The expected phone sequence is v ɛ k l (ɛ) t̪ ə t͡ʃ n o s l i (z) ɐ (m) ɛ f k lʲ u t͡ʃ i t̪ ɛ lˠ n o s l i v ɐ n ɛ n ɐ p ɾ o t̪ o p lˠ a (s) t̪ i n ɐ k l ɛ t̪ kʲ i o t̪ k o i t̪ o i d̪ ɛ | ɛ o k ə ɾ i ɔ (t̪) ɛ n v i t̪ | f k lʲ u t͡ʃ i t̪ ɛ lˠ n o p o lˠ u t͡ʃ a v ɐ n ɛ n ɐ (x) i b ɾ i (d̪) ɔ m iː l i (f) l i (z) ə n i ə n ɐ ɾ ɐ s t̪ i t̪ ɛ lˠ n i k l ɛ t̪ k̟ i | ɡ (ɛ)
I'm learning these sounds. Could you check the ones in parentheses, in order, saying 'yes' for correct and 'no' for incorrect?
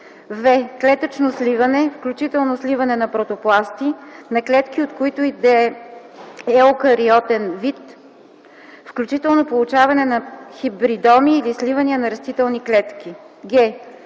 yes, no, no, yes, yes, yes, yes, no, no, yes

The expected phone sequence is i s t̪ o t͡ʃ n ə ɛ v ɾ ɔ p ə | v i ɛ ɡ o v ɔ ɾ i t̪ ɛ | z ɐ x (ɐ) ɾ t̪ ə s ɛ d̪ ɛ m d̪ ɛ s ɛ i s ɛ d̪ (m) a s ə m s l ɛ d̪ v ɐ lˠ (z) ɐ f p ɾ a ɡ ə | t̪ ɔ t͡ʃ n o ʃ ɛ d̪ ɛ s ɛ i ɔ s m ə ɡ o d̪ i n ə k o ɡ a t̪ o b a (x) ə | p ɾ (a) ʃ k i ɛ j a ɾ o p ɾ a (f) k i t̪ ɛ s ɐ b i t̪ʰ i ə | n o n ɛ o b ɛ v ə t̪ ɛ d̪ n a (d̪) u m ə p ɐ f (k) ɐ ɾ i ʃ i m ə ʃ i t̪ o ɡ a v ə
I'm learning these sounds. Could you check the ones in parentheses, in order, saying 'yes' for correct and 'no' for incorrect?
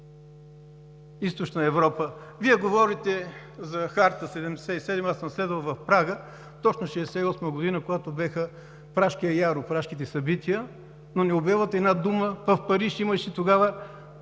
no, yes, no, yes, yes, no, yes, no

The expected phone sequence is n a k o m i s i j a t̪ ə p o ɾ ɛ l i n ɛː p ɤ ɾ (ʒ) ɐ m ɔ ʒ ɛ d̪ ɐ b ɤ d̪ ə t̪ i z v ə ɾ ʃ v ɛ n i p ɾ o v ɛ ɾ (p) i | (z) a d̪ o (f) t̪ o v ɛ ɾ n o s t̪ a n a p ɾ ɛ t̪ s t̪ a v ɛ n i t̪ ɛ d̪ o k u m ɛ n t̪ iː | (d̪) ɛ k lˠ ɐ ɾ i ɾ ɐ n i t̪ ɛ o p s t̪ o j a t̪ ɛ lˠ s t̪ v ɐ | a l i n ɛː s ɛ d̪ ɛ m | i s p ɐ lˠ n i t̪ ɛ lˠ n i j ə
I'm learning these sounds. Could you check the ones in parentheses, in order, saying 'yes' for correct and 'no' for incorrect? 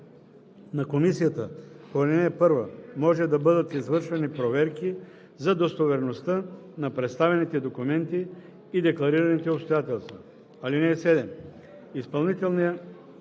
no, no, yes, no, yes

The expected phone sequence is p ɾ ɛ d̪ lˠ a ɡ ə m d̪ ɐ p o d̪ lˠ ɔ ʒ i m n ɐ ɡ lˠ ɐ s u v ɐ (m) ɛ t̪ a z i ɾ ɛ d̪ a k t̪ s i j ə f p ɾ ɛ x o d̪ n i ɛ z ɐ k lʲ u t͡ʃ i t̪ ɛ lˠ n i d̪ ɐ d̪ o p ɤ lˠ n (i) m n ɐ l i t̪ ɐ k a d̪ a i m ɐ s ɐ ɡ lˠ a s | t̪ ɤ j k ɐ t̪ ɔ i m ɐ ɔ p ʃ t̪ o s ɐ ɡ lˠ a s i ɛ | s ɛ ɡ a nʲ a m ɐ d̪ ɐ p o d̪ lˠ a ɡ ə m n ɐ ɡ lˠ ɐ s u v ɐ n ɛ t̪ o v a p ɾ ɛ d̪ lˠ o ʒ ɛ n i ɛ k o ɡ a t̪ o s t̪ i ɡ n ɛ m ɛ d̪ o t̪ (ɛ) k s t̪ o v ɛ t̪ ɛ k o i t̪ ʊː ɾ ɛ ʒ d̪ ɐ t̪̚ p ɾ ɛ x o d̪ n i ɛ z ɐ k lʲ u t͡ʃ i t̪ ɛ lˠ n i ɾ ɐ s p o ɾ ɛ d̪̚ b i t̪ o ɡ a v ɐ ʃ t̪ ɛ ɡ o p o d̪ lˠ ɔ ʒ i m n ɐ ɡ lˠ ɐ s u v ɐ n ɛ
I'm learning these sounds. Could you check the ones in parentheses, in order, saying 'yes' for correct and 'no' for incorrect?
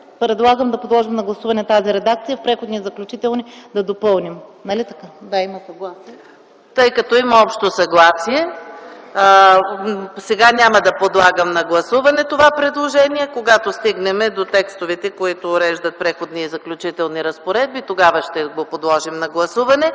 no, yes, yes

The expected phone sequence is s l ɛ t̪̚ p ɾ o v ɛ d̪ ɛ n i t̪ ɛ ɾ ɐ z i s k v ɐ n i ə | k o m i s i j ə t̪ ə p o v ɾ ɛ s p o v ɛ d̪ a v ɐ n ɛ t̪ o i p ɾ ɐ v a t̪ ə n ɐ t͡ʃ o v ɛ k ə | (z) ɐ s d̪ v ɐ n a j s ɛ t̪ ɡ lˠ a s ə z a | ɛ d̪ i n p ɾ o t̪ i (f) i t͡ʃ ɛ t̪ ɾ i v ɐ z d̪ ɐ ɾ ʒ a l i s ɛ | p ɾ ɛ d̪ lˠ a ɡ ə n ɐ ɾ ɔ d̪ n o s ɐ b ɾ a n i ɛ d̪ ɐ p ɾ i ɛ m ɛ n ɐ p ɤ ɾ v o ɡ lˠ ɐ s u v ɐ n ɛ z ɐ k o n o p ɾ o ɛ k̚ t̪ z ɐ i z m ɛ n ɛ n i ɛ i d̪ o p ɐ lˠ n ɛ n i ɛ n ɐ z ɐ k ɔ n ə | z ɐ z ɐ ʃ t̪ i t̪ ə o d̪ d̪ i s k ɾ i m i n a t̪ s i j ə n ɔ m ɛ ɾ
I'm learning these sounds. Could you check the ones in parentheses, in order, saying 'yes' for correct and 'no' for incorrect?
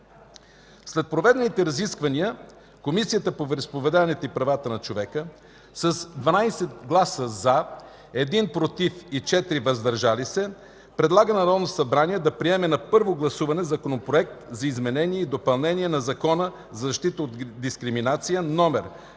no, yes

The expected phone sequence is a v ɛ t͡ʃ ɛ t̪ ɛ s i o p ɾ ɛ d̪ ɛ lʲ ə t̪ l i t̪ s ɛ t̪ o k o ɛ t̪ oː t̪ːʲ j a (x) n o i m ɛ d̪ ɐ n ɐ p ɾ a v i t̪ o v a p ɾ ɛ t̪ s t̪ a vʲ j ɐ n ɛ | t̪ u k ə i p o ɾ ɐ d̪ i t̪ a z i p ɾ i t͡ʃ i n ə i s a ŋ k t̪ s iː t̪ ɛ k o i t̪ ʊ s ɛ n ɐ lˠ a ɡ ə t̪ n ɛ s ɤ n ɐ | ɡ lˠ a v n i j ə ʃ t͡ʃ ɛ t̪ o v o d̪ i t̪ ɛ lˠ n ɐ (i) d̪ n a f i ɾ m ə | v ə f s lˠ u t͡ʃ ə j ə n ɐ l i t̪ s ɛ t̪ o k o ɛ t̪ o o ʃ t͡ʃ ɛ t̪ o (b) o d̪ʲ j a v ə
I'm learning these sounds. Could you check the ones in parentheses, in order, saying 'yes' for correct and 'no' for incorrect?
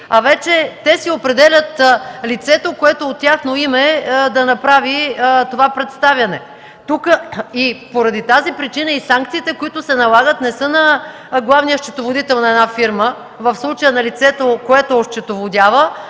yes, no, no

